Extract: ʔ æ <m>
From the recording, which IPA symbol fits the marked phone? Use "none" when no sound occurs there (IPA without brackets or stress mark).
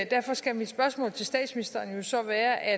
none